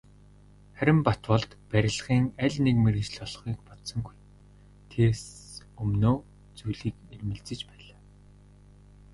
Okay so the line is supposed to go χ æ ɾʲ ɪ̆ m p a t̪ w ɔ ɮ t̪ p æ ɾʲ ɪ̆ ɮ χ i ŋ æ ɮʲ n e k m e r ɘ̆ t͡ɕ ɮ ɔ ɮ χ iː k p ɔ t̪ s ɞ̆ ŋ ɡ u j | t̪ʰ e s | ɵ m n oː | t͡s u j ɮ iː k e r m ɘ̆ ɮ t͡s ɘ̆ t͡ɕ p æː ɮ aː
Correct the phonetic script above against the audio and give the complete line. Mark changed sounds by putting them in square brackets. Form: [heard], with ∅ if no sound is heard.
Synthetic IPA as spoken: χ æ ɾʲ ɪ̆ m p a t̪ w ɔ ɮ t̪ p æ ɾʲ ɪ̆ ɮ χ [iː] ŋ æ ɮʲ n e k m e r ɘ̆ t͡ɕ ɮ ɔ ɮ χ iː k p ɔ t̪ s ɞ̆ ŋ ɡ u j | t̪ʰ e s | ɵ m n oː | t͡s u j ɮ iː k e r m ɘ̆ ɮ t͡s ɘ̆ t͡ɕ p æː ɮ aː